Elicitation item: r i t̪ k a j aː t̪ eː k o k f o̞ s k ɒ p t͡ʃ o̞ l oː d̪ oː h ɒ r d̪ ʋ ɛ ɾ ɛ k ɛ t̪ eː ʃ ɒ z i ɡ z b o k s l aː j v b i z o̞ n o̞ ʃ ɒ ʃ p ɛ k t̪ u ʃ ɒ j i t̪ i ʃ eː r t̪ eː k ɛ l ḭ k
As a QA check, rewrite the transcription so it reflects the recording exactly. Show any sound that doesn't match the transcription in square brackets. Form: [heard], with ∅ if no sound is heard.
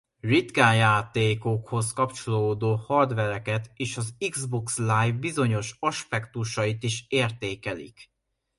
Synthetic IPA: r i t̪ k a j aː t̪ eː k o k [h] o̞ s k ɒ p t͡ʃ o̞ l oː d̪ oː h ɒ r d̪ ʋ ɛ ɾ ɛ k ɛ t̪ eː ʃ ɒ z i ɡ z b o k s l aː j v b i z o̞ [ɲ] o̞ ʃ ɒ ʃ p ɛ k t̪ u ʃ ɒ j i t̪ i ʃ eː r t̪ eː k ɛ l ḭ k